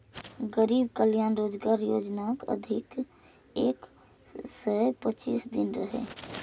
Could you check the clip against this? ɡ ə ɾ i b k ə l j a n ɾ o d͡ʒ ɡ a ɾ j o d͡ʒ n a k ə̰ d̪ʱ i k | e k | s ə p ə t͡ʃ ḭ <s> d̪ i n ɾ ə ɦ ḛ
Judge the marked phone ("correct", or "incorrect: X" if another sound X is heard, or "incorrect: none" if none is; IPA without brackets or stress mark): correct